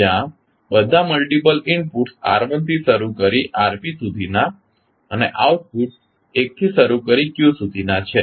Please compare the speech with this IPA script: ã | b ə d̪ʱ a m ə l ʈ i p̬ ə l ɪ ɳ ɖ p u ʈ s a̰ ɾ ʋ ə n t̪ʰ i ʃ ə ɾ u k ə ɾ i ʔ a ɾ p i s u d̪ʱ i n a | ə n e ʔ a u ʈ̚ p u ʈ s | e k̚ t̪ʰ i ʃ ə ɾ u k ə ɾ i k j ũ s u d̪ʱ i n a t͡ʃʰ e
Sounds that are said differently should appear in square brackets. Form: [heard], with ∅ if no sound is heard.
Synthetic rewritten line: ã | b ə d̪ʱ a m ə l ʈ i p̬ ə l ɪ ɳ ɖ p u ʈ s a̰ ɾ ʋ ə n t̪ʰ i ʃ ə ɾ u k ə ɾ i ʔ a ɾ p i s u d̪ʱ i n a | ə n e ʔ a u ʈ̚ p u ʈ s | e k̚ t̪ʰ i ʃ ə ɾ u k ə ɾ i k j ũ s u d̪ʱ i n a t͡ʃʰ e

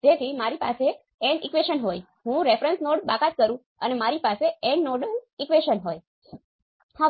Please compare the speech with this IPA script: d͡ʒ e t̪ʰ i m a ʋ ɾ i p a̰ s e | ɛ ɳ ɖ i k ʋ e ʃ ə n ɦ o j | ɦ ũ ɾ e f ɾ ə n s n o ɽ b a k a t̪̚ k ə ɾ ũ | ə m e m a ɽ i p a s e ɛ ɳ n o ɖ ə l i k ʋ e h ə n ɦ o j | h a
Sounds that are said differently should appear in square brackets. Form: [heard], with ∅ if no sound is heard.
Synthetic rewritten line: d͡ʒ e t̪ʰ i m a [∅] ɾ i p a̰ s e | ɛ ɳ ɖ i k ʋ e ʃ ə n ɦ o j | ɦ ũ ɾ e f ɾ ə n s n o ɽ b a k a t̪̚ k ə ɾ ũ | ə [n] e m a [ɾ] i p a s e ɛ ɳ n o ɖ ə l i k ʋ e [ʃ] ə n ɦ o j | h a

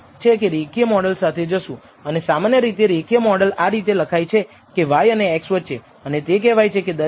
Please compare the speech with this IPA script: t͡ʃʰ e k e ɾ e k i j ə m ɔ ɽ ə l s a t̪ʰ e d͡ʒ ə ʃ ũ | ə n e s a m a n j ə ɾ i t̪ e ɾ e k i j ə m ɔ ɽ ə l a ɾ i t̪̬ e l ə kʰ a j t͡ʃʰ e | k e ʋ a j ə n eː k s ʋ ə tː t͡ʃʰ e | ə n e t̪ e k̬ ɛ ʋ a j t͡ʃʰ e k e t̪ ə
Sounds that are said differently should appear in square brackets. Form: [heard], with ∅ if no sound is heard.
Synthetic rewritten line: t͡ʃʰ e k e ɾ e k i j ə m ɔ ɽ ə l s a t̪ʰ e d͡ʒ ə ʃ ũ | ə n e s a m a n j ə ɾ i t̪ e ɾ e k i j ə m ɔ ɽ ə l a ɾ i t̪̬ e l ə kʰ a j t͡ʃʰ e | k e ʋ a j ə n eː k s ʋ ə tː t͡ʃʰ e | ə n e t̪ e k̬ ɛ ʋ a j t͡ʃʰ e k e [d̪] ə

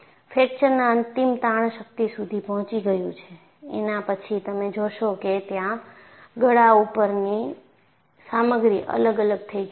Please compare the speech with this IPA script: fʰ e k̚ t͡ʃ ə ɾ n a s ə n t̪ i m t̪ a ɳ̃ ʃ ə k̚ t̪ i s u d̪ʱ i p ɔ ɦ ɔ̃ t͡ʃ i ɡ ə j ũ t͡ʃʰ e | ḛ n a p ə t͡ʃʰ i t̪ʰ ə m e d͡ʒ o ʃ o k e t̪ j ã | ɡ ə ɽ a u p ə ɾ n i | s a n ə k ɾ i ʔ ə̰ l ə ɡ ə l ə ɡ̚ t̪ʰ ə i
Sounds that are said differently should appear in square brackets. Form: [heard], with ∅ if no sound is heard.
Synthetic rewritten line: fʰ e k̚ t͡ʃ ə ɾ n a [∅] ə n t̪ i m t̪ a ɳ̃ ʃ ə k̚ t̪ i s u d̪ʱ i p ɔ ɦ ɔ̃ t͡ʃ i ɡ ə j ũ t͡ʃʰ e | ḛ n a p ə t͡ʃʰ i [t̪] ə m e d͡ʒ o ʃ o k e t̪ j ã | ɡ ə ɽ a u p ə ɾ n i | s a [m] ə [ɡ] ɾ i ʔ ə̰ l ə ɡ ə l ə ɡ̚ t̪ʰ ə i

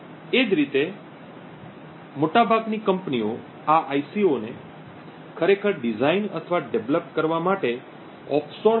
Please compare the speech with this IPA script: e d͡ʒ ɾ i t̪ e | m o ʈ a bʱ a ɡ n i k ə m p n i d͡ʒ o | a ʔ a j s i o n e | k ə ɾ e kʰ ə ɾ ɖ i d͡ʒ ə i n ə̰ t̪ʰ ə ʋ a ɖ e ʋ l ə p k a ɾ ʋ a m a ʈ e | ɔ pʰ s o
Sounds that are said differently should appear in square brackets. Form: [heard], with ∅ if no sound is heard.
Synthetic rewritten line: e d͡ʒ ɾ i t̪ e | m o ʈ a bʱ a ɡ n i k ə m p n i [∅] o | a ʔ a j s i o n e | [kʰ] ə ɾ e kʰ ə ɾ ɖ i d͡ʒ [a] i n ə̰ t̪ʰ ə ʋ a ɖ e ʋ l ə p k [ə] ɾ ʋ a m a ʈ e | ɔ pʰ s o

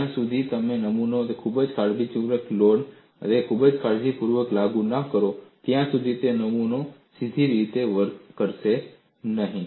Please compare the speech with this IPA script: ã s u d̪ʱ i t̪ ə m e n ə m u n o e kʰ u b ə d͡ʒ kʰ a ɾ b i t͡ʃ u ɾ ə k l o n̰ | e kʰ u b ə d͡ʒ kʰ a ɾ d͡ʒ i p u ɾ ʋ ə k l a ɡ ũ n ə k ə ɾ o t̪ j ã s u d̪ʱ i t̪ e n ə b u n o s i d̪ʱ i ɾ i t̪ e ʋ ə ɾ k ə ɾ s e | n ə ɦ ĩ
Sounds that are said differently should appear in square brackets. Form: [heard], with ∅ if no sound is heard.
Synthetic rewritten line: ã s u d̪ʱ i t̪ ə m e n ə m u n o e kʰ u b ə d͡ʒ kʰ a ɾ b i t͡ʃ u ɾ ə k l o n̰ | e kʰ u b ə d͡ʒ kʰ a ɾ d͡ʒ i p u ɾ ʋ ə k l a ɡ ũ n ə k ə ɾ o t̪ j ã s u d̪ʱ i t̪ e n ə [m] u n o s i d̪ʱ i ɾ i t̪ e ʋ ə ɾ k ə ɾ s e | n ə ɦ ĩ

